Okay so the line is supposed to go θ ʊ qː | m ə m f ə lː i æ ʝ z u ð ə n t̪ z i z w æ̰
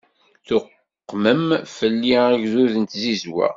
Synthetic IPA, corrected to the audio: θ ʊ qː | m ə m f ə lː i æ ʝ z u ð ə n t̪ z i z w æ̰